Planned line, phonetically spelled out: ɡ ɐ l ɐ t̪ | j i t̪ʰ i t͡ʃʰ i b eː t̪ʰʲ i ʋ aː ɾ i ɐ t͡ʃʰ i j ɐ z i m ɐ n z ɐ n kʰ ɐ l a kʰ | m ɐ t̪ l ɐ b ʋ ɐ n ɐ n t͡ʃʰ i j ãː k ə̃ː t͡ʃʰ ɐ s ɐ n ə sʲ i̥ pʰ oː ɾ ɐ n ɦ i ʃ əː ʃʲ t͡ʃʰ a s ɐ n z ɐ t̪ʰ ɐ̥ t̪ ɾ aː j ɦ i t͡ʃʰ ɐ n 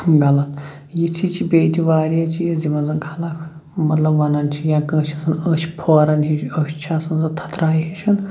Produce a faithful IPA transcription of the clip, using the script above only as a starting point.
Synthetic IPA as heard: ɡ ɐ l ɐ t̪ | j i t̪ʰ i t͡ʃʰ i b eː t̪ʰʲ i ʋ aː ɾ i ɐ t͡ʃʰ i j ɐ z i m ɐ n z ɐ n kʰ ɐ l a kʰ | m ɐ t̪ l ɐ b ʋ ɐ n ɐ n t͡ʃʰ i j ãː k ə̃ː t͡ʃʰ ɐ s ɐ n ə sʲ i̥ pʰ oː ɾ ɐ n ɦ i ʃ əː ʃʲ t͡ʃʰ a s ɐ n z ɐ t̪ʰ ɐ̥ t̪ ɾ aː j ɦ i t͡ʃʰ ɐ n